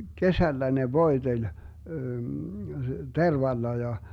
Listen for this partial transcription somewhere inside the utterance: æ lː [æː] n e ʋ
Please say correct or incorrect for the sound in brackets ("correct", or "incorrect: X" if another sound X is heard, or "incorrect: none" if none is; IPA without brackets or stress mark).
incorrect: æ